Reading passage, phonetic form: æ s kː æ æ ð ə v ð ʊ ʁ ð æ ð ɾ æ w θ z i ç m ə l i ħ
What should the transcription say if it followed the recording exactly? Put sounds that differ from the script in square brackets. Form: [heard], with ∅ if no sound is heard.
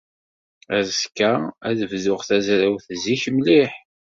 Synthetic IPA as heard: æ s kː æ æ ð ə v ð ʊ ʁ [θ] æ [z] ɾ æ w θ z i ç m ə l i ħ